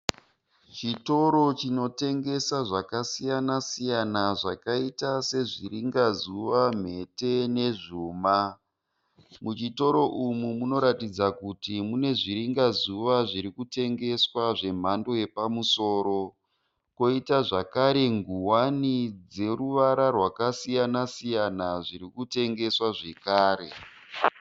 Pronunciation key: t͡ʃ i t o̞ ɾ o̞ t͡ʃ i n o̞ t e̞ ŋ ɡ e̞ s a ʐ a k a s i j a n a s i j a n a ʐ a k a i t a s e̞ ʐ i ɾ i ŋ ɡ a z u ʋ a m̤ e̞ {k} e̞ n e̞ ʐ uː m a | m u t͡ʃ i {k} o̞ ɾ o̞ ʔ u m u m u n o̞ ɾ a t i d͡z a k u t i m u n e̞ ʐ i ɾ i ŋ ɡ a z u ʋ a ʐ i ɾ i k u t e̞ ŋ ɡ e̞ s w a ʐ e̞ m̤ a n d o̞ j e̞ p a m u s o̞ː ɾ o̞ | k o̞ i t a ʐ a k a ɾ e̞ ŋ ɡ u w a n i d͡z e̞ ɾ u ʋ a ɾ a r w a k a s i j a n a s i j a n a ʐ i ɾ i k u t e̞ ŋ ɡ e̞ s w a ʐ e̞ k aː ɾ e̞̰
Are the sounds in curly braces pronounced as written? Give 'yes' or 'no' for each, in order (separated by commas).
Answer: no, no